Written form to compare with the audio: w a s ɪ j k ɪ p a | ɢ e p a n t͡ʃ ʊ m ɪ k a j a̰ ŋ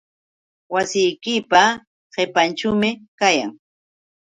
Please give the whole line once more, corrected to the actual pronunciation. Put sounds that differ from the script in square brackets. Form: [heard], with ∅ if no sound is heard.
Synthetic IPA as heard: w a s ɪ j k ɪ p a | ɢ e p a n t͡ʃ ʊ m ɪ k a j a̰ ŋ